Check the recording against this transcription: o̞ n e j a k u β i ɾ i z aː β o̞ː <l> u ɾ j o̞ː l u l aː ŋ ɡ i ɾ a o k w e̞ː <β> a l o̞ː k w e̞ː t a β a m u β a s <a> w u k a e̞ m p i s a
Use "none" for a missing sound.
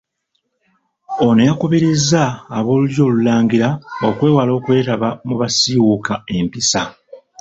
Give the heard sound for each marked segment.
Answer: l, w, i

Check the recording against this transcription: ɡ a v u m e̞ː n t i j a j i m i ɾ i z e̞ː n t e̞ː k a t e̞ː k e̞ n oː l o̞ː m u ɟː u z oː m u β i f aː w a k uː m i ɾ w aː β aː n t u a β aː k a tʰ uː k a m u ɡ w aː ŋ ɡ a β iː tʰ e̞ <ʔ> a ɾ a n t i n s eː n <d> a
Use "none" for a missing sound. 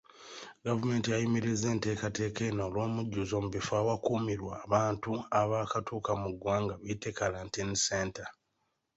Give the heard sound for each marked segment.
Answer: k, t

